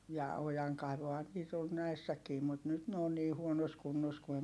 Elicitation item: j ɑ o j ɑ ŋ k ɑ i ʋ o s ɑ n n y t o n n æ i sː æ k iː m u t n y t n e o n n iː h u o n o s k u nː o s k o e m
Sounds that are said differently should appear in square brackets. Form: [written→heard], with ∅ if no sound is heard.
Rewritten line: j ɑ o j ɑ ŋ k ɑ i ʋ o [s→h] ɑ n n y t o n n æ i sː æ k iː m u t n y t n e o n n iː h u o n o s k u nː o s k [o→u] e m